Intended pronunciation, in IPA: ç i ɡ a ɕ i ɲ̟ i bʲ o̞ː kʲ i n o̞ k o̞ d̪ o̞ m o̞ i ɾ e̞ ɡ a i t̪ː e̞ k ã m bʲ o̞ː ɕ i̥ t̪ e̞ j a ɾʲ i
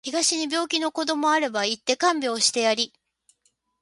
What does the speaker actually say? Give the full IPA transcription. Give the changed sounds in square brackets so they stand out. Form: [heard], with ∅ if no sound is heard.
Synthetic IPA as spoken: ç i ɡ a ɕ i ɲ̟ i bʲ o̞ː kʲ i n o̞ k o̞ d̪ o̞ m o̞ [a] ɾ e̞ [b] a i t̪ː e̞ k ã m bʲ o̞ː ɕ i̥ t̪ e̞ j a ɾʲ i